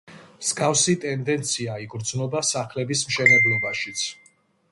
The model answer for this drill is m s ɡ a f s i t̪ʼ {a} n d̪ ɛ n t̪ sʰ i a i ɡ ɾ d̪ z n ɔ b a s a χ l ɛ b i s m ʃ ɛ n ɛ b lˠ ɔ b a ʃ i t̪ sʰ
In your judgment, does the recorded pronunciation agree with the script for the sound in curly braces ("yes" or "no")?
no